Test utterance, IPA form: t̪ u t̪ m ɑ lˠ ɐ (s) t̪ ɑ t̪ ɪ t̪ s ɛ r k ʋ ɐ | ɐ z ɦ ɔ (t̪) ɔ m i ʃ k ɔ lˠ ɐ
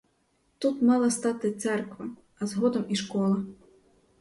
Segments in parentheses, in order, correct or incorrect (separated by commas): correct, incorrect